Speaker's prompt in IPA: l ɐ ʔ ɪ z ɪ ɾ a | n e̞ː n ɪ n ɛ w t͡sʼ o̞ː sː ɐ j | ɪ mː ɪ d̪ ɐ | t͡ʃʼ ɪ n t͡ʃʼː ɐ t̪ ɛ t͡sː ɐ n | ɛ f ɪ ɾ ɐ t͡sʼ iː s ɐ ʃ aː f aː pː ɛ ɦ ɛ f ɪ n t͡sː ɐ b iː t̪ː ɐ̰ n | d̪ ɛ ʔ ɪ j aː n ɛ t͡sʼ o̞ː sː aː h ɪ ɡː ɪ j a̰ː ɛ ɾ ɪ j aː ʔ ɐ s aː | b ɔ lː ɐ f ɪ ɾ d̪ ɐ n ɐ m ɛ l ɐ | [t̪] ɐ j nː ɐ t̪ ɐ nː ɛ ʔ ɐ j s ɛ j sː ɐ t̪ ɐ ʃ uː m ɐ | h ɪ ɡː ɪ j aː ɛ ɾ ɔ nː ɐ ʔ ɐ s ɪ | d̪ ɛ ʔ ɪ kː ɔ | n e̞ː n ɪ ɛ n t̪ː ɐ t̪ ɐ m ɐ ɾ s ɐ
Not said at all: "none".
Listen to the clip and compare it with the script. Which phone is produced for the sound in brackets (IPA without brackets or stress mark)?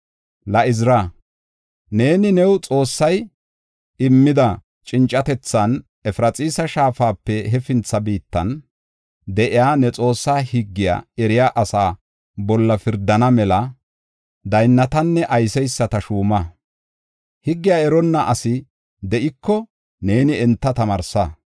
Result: d̪